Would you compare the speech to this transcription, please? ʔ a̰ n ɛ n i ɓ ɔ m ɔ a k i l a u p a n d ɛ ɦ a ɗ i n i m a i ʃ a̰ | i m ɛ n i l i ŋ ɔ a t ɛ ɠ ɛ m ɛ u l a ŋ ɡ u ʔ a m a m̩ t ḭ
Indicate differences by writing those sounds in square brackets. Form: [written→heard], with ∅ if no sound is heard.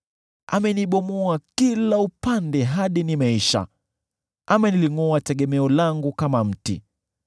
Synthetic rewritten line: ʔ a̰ [n→m] ɛ n i ɓ ɔ m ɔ a k i l a u p a n d ɛ ɦ a ɗ i n i m a i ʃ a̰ | [i→a] m ɛ n i l i ŋ ɔ a t ɛ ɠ ɛ m ɛ [u→ɔ] l a ŋ ɡ u [ʔ→k] a m a m̩ t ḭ